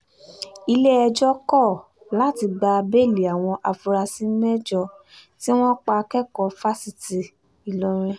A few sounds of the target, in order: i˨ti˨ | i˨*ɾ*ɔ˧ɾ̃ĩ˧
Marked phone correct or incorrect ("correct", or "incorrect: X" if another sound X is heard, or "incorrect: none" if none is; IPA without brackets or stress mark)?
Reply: incorrect: l